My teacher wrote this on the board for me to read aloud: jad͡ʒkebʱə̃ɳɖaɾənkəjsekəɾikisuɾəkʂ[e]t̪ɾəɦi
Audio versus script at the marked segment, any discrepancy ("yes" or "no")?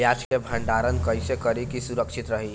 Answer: yes